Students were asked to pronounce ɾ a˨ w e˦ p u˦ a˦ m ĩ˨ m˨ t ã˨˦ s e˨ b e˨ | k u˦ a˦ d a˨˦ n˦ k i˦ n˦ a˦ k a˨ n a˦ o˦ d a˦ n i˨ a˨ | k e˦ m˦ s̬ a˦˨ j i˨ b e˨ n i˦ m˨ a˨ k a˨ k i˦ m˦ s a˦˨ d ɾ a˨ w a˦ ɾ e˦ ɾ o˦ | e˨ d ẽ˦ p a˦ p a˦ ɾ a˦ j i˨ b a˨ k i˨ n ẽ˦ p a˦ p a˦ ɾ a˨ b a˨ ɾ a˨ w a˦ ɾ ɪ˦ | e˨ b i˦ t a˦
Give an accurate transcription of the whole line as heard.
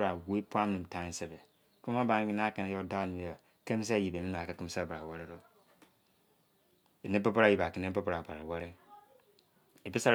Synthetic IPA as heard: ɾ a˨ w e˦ p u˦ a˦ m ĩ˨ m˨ t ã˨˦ s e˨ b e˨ | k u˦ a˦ b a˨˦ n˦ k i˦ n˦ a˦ k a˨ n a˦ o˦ d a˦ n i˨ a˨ | k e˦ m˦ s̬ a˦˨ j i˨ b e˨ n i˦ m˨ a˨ k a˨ k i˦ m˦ s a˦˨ b ɾ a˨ w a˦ ɾ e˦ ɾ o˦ | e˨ n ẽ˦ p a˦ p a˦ ɾ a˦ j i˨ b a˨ k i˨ n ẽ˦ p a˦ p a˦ ɾ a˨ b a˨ ɾ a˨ w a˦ ɾ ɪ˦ | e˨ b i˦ s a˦